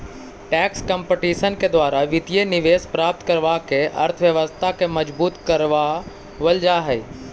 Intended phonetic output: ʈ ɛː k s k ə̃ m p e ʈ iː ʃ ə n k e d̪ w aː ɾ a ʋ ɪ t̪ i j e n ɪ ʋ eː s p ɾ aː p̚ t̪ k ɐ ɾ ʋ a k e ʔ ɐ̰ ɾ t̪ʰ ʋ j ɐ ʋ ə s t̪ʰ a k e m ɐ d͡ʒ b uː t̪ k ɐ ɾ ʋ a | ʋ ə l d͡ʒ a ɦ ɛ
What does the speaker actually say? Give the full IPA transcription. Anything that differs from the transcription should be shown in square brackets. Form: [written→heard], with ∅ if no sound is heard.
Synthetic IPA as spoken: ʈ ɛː k s k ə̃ m p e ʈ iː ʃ ə n k e d̪ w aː ɾ a ʋ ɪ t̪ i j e n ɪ ʋ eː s p ɾ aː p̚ t̪ k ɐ ɾ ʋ a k e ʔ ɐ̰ ɾ t̪ʰ ʋ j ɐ ʋ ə s t̪ʰ a k e m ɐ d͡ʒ b uː t̪ k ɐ ɾ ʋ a | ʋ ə l d͡ʒ a ɦ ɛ